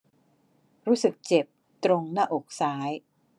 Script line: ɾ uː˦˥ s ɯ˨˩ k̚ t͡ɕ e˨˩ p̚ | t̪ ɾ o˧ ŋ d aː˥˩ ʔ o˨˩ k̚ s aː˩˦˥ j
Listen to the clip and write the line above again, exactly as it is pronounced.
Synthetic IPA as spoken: ɾ uː˦˥ s ɯ˨˩ k̚ t͡ɕ e˨˩ p̚ | t̪ ɾ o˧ ŋ n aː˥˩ ʔ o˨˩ k̚ s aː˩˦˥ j